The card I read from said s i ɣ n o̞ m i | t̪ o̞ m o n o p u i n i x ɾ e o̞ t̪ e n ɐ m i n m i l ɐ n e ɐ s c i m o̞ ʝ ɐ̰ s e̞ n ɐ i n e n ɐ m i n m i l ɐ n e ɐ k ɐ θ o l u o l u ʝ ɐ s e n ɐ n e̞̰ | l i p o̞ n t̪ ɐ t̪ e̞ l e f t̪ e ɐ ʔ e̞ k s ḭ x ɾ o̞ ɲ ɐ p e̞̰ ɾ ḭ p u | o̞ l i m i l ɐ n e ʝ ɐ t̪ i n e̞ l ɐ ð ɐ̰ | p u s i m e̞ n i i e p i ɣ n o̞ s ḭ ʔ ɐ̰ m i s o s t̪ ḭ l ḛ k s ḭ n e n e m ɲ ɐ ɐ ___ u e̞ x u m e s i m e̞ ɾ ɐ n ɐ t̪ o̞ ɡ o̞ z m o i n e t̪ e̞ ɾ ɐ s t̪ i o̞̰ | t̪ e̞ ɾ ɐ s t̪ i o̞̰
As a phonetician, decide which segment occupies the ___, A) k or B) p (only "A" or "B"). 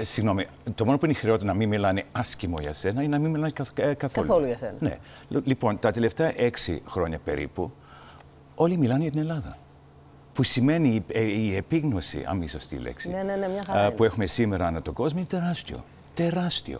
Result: B